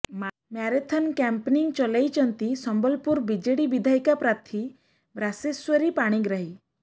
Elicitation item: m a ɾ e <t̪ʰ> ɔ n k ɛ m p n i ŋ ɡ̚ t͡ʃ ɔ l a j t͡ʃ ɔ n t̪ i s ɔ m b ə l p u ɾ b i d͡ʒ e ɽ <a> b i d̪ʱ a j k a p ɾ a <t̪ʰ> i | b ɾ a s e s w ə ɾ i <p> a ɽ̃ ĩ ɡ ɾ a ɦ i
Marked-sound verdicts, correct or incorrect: correct, incorrect: i, correct, correct

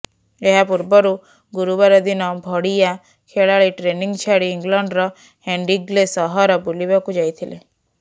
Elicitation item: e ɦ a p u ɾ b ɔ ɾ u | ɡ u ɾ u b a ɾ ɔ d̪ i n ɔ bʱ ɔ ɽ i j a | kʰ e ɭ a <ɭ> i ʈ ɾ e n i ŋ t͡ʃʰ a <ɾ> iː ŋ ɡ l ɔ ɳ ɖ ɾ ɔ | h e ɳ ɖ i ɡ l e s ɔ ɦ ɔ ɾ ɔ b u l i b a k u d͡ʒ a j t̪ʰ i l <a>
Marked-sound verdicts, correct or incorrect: correct, incorrect: ɽ, incorrect: e

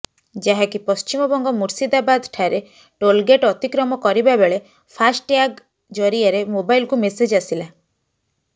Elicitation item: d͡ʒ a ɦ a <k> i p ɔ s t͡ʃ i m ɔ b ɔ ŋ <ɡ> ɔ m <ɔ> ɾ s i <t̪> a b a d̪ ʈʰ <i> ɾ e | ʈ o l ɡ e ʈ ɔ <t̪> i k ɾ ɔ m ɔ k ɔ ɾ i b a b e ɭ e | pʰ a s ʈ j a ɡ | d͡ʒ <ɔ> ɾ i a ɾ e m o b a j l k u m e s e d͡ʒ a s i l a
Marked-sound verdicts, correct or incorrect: correct, correct, incorrect: u, incorrect: d̪, incorrect: a, correct, correct

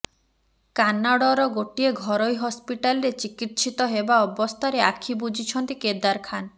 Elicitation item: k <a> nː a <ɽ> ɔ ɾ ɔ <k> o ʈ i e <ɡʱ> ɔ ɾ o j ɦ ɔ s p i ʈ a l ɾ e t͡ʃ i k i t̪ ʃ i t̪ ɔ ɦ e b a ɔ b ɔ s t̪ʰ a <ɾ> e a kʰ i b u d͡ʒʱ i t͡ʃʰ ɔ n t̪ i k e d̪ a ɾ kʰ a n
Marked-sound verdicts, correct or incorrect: correct, correct, incorrect: ɡ, correct, correct

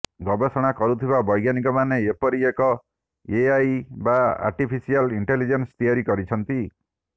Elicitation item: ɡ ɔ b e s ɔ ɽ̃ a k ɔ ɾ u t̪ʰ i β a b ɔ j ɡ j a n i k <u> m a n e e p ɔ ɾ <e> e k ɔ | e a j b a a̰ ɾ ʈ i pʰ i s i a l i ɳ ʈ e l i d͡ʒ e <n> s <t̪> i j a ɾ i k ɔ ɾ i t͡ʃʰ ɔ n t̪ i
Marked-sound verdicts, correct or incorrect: incorrect: ɔ, incorrect: i, correct, correct

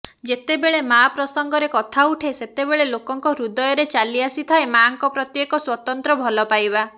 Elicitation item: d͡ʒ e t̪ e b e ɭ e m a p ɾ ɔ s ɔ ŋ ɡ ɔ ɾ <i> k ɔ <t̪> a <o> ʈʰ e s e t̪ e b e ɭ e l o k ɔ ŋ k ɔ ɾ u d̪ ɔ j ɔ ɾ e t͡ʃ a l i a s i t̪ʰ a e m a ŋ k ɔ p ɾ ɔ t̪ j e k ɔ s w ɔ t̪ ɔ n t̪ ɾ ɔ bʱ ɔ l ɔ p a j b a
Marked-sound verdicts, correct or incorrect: incorrect: e, incorrect: t̪ʰ, incorrect: u

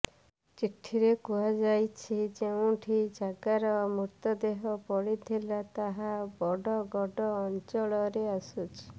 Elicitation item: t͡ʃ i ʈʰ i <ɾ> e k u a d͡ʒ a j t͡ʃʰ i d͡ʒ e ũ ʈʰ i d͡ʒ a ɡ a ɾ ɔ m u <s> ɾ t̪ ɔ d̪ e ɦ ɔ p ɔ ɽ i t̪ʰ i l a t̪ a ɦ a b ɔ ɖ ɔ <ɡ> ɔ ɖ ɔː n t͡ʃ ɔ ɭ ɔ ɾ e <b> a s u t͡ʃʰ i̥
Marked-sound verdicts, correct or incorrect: correct, incorrect: none, correct, incorrect: none

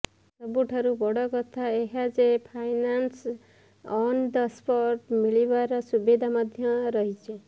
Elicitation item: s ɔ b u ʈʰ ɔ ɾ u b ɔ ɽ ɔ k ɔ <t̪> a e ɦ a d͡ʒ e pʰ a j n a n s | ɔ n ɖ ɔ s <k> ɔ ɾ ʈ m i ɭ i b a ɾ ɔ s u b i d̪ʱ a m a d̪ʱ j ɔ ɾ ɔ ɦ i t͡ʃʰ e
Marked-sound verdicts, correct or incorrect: incorrect: t̪ʰ, incorrect: p

